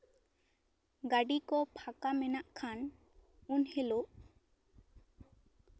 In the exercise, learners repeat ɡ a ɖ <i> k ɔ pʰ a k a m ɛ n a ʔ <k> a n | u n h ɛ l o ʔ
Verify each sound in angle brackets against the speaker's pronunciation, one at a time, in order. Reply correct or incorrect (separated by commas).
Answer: correct, incorrect